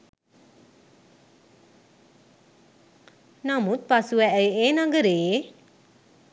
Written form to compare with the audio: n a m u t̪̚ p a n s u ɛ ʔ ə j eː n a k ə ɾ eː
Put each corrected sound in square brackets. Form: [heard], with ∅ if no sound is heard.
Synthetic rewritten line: n a m u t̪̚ p a [∅] s u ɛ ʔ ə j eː n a [ɡ] ə ɾ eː

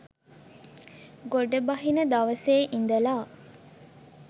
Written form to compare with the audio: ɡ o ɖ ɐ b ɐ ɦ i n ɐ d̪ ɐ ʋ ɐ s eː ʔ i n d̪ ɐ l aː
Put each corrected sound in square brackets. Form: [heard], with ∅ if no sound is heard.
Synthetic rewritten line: ɡ o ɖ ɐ b ɐ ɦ i n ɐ d̪ ɐ ʋ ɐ s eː ʔ i n d̪ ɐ l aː

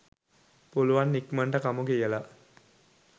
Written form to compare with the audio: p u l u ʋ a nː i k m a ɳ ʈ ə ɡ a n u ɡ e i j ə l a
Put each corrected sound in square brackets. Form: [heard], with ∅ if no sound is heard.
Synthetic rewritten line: p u l u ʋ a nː i k m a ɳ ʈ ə [k] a [m] u ɡ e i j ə l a

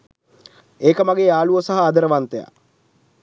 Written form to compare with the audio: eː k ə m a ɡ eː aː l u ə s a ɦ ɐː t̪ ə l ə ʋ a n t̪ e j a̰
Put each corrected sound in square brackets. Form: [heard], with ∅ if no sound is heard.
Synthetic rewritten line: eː k ə m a ɡ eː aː l u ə s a ɦ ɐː [d̪] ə [ɾ] ə ʋ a n t̪ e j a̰

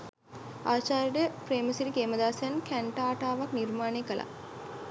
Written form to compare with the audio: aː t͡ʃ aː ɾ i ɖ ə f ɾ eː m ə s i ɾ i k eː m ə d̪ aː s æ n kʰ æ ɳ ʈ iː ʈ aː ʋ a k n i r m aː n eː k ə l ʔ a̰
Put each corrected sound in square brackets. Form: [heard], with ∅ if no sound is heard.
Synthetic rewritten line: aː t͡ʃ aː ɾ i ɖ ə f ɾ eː m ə s i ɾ i k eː m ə d̪ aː s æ n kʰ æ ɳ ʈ [aː] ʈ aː ʋ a k n i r m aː n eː k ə l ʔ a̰

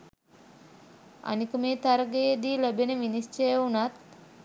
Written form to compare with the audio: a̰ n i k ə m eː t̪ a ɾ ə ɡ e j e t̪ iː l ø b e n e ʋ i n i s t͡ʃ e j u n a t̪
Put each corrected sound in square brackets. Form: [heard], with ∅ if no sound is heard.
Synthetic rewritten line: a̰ n i k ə m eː t̪ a ɾ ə ɡ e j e [d̪] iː l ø b e n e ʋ i n i s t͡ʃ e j u n a t̪

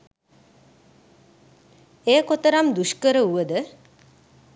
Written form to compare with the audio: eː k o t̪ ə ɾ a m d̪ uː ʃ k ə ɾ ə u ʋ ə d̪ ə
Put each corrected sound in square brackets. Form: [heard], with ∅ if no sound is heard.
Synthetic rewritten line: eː k o t̪ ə ɾ a m d̪ [u] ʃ k ə ɾ ə u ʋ ə d̪ ə

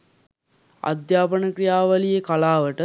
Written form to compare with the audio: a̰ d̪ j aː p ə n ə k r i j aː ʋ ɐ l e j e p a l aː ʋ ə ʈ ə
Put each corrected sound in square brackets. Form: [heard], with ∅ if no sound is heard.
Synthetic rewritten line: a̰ d̪ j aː p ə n ə k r i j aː ʋ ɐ l [i] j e [k] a l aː ʋ ə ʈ ə

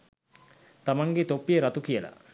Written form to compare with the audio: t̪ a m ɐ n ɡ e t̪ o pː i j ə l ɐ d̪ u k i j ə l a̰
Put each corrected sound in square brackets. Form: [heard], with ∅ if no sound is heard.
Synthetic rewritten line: t̪ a m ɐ [ŋ] ɡ e t̪ o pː i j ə [ɾ] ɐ [t̪] u k i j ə l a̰

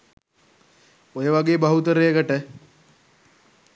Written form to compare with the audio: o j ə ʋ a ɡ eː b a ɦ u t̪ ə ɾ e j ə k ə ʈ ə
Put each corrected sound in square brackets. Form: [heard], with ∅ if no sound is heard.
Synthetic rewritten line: o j ə ʋ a ɡ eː b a ɦ u t̪ ə ɾ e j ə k ə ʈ ə

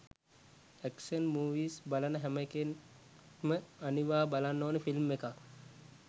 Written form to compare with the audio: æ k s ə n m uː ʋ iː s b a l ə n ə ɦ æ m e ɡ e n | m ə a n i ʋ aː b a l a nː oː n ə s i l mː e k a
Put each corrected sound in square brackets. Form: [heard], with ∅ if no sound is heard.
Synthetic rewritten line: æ k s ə n m uː ʋ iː s b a l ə n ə ɦ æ m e [k] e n | m ə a n i ʋ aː b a l a nː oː n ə [f] i l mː e k a

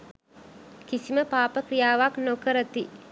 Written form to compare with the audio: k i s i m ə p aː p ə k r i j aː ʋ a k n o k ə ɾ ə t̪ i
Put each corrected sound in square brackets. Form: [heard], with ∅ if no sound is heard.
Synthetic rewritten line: k i s i m ə p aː p ə k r i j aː ʋ a k n o k ə ɾ ə t̪ i

